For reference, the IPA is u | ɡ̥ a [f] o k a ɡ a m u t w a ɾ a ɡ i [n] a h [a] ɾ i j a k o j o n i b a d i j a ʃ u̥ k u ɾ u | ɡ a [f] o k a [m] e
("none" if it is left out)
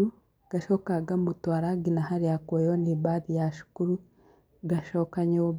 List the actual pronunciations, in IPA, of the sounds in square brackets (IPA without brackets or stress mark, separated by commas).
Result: ʃ, n, a, ʃ, ɲ